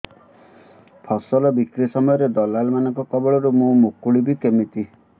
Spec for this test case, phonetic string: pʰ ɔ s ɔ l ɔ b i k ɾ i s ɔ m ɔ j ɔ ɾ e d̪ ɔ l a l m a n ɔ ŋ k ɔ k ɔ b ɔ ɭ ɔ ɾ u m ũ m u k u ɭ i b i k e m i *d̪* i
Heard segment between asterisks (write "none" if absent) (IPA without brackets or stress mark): t̪